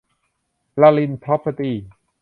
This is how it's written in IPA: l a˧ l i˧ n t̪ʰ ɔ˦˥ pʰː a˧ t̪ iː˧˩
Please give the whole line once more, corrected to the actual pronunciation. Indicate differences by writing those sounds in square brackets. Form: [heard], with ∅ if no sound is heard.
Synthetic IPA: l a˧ l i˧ n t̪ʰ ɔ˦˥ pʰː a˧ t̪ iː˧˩